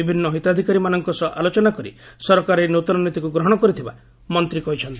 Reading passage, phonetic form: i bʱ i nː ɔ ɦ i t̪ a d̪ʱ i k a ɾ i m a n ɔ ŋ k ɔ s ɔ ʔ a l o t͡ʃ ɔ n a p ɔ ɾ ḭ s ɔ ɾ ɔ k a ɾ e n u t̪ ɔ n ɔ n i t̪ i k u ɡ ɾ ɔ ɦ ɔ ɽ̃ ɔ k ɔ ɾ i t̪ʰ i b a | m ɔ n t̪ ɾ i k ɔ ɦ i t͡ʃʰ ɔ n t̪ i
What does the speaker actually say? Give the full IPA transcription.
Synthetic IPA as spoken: i bʱ i nː ɔ ɦ i t̪ a d̪ʱ i k a ɾ i m a n ɔ ŋ k ɔ s ɔ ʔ a l o t͡ʃ ɔ n a k ɔ ɾ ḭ s ɔ ɾ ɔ k a ɾ e n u t̪ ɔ n ɔ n i t̪ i k u ɡ ɾ ɔ ɦ ɔ ɽ̃ ɔ k ɔ ɾ i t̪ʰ i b a | m ɔ n t̪ ɾ i k ɔ ɦ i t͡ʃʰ ɔ n t̪ i